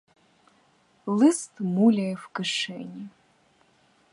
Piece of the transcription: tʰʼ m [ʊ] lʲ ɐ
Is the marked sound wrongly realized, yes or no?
yes